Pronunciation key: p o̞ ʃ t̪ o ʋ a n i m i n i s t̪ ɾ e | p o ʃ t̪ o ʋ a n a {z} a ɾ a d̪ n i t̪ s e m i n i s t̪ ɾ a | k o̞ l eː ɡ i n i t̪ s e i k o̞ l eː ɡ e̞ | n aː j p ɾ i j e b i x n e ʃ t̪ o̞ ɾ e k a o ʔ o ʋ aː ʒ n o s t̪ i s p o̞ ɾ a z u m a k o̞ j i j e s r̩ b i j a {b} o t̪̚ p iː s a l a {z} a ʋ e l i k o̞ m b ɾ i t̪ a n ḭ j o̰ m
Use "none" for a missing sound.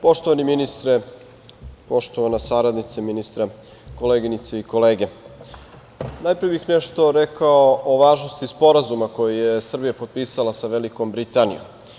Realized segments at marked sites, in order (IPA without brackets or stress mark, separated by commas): s, p, s